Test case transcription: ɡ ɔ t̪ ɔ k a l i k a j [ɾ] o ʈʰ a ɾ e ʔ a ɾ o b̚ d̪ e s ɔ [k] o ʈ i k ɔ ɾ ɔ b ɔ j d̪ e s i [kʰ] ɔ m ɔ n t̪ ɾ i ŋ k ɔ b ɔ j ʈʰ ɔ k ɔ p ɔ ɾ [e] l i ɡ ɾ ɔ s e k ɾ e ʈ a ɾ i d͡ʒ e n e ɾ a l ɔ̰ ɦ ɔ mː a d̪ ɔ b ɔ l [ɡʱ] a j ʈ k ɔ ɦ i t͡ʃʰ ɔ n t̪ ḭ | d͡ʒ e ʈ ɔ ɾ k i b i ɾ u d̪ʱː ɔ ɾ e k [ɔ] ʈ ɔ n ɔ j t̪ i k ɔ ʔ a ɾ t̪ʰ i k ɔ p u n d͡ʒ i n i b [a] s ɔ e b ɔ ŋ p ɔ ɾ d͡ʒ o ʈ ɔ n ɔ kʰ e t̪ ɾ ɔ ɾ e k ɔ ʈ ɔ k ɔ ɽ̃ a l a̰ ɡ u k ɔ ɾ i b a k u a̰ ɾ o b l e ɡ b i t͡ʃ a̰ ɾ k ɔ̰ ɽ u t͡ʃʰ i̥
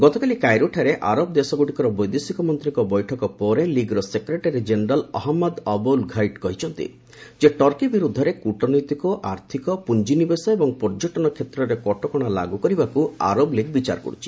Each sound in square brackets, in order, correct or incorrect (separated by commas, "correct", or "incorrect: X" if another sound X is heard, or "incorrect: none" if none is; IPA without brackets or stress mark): correct, incorrect: ɡ, incorrect: k, correct, correct, incorrect: u, incorrect: e